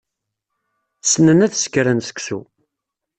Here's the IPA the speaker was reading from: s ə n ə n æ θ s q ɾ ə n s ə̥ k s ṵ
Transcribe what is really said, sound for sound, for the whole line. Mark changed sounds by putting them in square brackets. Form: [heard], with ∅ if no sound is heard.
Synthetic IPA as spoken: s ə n ə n æ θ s [k] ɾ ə n s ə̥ k s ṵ